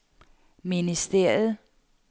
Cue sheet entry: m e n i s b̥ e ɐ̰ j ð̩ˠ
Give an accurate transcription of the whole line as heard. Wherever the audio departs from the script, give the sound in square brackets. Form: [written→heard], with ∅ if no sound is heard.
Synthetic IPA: m [e→i] n i s [b̥→d̥] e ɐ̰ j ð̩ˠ